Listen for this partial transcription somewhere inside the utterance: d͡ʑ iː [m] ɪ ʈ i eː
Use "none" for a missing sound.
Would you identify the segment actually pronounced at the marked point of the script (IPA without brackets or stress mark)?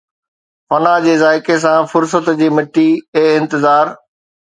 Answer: m